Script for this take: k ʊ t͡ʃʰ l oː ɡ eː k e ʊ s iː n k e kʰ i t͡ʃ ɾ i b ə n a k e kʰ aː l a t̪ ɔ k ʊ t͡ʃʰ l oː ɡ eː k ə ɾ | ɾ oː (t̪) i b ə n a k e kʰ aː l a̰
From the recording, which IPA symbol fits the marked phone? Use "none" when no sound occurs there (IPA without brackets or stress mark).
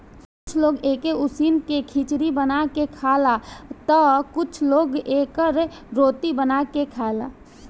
t̪